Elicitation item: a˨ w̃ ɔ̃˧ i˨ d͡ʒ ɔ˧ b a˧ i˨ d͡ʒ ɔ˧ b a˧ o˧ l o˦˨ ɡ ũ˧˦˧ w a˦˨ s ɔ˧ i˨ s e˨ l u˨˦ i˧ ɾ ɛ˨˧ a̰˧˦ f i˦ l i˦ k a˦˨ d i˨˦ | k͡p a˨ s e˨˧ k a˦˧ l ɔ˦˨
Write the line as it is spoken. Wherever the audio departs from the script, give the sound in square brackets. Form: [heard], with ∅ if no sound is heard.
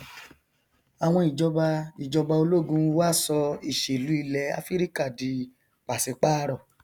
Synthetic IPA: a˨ w̃ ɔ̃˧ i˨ d͡ʒ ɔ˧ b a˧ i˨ d͡ʒ ɔ˧ b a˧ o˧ l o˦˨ ɡ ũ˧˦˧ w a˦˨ s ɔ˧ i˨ [ʃ] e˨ l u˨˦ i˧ [l] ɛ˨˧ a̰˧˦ f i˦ [ɾ] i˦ k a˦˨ d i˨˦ | k͡p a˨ s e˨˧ [k͡p] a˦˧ [ɾ] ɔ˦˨